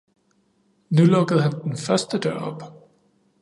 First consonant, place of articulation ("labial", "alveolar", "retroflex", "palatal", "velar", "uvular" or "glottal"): alveolar